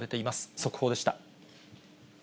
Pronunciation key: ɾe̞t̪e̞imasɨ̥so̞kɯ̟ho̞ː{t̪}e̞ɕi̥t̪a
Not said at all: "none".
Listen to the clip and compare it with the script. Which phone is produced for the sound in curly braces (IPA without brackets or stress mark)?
d̪